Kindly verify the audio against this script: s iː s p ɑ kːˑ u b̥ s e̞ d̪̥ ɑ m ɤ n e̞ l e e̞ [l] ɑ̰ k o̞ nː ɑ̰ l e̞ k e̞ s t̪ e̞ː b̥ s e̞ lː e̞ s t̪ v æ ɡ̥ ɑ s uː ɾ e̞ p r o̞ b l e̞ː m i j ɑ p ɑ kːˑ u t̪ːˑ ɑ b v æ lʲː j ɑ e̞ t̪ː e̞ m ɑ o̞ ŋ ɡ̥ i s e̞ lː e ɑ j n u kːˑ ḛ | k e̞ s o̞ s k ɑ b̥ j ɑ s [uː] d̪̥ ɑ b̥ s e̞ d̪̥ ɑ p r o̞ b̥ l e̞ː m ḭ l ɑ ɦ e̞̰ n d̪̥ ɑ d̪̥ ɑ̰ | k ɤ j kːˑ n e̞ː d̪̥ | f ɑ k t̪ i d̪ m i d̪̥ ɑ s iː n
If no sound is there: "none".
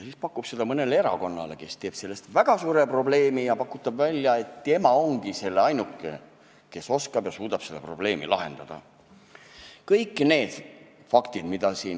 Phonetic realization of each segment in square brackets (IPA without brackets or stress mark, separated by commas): ɾ, uː